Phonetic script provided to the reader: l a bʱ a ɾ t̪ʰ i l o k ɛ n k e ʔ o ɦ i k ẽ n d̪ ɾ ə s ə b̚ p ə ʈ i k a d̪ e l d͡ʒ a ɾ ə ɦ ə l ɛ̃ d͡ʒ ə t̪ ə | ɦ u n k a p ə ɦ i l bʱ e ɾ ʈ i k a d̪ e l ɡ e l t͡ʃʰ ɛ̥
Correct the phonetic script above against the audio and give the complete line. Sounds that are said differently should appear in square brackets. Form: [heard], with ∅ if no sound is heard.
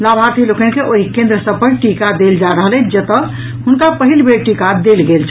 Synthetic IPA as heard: l a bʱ a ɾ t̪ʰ i l o k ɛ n k e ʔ o ɦ i k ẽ n d̪ ɾ ə s ə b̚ p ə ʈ i k a d̪ e l d͡ʒ a ɾ ə ɦ ə l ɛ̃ d͡ʒ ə t̪ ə | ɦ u n k a p ə ɦ i l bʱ e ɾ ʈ i k a d̪ e l ɡ e l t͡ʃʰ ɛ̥